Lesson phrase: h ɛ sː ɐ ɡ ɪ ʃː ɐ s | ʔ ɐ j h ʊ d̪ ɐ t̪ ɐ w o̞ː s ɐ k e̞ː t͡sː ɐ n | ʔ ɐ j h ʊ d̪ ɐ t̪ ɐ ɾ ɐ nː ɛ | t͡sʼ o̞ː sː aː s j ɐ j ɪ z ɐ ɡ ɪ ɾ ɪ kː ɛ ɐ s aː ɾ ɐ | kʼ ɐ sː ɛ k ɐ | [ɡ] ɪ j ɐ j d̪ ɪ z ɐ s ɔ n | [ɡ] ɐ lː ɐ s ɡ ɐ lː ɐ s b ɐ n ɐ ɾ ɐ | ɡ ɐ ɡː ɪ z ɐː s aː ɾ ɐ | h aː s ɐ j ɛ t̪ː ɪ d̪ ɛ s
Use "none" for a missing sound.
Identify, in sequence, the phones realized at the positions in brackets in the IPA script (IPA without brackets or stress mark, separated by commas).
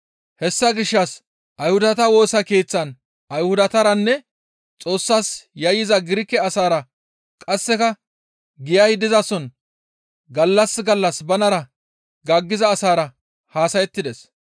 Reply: ɡ, ɡ